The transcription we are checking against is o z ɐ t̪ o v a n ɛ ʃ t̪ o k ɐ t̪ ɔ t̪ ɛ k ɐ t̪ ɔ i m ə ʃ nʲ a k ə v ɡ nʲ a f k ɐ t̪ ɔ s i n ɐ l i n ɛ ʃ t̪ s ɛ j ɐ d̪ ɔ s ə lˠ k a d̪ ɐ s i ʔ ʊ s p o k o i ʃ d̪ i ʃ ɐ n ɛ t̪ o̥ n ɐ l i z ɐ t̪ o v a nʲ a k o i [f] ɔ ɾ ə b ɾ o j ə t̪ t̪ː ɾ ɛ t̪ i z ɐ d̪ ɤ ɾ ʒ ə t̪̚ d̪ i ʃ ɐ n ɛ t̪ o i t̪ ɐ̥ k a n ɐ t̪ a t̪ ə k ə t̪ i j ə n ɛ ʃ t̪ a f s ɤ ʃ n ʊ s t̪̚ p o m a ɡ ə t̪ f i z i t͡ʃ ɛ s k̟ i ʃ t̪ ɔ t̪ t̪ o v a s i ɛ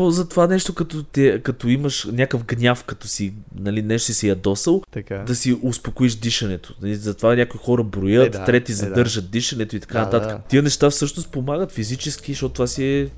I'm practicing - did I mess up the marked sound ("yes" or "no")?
yes